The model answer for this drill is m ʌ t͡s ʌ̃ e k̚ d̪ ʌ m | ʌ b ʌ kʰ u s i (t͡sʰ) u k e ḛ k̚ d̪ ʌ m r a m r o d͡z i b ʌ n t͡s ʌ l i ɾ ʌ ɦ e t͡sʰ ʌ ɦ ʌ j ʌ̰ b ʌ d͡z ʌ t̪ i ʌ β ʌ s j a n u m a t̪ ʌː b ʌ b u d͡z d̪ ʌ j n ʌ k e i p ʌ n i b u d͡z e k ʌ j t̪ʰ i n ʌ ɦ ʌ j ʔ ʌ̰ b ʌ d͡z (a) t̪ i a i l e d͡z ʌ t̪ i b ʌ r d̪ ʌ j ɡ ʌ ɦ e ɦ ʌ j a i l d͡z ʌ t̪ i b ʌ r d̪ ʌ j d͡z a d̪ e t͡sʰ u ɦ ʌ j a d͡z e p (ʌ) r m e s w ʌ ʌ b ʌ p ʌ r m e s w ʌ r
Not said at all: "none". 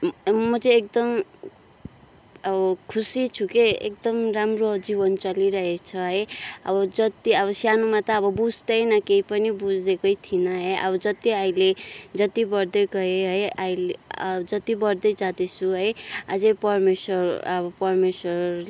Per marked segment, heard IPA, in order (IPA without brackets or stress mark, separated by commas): t͡sʰ, ʌ, ʌ